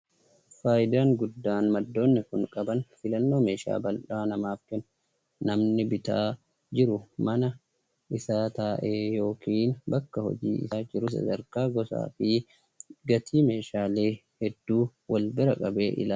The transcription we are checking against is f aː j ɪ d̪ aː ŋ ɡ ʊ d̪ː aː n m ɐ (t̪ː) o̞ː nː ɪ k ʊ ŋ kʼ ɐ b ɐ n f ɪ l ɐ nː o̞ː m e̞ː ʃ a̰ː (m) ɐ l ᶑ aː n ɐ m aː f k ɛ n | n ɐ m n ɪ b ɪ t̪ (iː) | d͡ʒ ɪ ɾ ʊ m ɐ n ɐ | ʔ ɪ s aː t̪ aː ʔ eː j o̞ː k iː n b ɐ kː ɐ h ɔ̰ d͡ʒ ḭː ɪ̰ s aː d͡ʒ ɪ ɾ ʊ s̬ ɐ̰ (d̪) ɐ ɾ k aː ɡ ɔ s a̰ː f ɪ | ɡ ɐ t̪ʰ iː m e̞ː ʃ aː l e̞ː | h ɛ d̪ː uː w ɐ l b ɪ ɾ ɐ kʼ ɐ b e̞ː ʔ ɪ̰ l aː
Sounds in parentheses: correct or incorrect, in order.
incorrect, incorrect, incorrect, correct

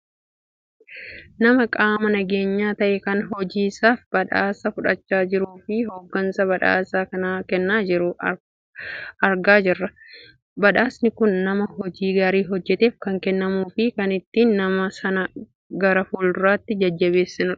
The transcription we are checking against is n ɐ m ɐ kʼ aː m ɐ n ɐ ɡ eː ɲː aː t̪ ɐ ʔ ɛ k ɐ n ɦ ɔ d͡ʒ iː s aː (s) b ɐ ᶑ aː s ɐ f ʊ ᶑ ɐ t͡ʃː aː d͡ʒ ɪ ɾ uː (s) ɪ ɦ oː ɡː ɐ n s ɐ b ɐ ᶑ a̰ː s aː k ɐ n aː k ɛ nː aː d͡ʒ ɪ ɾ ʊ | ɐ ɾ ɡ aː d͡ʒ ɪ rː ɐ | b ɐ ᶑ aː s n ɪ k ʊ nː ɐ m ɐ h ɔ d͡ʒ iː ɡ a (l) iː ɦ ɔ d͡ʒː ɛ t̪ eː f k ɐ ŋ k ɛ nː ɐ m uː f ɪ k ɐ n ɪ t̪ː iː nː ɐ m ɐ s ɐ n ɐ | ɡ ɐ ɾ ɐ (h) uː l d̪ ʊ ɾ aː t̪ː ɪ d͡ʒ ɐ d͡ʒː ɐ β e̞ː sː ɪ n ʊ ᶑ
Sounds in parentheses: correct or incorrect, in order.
incorrect, incorrect, incorrect, incorrect

